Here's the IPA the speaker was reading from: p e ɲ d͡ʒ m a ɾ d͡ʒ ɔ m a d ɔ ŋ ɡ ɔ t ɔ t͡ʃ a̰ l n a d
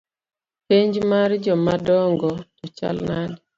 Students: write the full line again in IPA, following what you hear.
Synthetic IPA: p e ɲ d͡ʒ m a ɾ d͡ʒ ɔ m a d ɔ ŋ ɡ ɔ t ɔ t͡ʃ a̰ l n a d